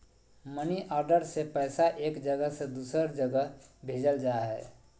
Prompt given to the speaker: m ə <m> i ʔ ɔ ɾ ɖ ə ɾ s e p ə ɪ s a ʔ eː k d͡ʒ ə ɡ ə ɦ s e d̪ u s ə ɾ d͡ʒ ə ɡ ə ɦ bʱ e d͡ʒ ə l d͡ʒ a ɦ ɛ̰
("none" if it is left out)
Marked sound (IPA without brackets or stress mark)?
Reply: n